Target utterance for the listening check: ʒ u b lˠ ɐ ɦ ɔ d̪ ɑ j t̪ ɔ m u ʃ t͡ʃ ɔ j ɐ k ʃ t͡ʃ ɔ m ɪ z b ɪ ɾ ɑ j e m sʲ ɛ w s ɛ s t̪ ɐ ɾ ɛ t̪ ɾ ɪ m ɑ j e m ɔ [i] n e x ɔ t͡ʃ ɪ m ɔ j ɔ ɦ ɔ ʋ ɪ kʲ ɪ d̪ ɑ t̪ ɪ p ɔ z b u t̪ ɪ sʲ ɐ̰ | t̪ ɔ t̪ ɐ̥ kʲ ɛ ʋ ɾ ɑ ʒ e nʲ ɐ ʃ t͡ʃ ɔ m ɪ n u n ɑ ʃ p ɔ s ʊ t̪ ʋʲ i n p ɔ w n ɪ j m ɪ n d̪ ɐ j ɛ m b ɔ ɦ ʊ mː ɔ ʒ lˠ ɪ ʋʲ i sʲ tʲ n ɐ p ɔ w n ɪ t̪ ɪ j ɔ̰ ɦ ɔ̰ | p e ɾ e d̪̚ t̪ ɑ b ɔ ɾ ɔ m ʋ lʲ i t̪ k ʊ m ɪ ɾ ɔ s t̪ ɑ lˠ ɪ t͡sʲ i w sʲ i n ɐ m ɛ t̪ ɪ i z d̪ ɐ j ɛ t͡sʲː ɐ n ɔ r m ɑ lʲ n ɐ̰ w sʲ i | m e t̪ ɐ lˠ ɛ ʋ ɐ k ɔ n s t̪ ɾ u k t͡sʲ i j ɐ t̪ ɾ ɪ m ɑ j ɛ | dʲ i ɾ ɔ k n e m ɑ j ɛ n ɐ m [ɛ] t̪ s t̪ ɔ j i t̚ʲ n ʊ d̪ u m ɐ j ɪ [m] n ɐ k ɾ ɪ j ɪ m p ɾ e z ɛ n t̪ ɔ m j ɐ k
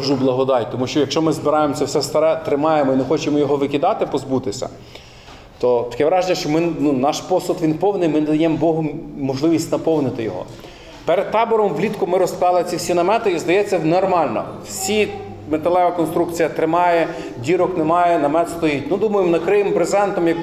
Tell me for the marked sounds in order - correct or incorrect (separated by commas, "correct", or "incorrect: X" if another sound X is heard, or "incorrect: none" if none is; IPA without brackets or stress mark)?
correct, correct, correct